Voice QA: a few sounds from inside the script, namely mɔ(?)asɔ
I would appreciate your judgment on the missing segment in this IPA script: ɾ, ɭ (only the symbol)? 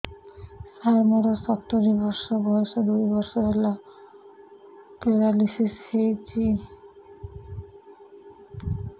ɾ